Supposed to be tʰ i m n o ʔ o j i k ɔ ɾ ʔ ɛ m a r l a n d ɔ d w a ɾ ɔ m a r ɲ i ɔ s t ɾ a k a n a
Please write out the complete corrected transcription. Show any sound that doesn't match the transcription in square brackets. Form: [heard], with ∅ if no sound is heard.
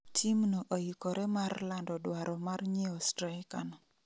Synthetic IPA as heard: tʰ i m n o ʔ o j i k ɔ ɾ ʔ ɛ m a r l a n d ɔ d w a ɾ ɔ m a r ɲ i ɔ s t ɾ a k a n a